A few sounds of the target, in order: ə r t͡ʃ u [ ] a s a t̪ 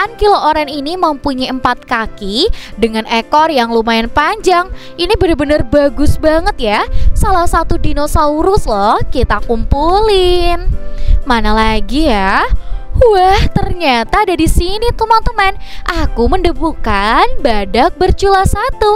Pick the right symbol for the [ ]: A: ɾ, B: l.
B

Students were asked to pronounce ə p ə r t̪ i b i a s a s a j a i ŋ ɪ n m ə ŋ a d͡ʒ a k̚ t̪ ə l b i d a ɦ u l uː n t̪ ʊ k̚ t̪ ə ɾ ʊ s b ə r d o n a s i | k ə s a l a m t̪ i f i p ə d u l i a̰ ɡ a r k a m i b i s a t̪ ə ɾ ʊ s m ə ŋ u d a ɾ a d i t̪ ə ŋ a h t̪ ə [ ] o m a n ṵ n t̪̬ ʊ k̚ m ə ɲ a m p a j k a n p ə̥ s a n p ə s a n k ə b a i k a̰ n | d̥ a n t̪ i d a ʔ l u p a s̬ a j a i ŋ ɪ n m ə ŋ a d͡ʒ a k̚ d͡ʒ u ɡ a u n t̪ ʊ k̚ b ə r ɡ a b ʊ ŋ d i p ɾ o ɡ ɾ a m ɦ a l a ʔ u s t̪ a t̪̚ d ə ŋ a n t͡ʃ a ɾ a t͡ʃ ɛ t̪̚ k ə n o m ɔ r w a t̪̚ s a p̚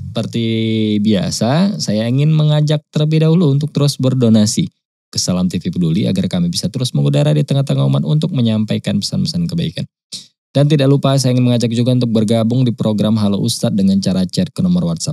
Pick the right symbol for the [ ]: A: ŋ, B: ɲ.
A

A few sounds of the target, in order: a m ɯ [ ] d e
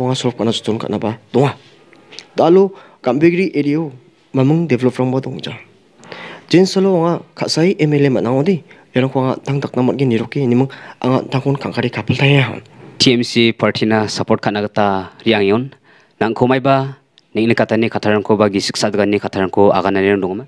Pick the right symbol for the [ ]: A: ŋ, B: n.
A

